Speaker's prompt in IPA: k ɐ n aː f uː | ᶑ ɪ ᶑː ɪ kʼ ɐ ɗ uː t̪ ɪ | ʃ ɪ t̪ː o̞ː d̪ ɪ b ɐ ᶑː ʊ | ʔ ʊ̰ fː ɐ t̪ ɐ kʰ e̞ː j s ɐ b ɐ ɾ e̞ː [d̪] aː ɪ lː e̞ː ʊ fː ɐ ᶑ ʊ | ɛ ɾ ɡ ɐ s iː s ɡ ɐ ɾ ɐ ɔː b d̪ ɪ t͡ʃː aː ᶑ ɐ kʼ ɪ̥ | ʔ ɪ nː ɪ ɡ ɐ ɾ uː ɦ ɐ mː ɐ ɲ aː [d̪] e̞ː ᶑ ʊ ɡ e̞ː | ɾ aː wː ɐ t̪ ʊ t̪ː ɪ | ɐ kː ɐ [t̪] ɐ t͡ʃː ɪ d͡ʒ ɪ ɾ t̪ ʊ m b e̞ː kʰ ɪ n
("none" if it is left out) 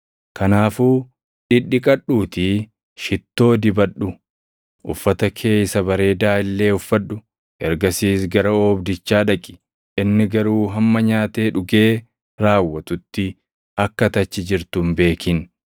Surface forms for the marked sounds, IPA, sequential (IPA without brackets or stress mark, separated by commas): d̪, t̪, t̪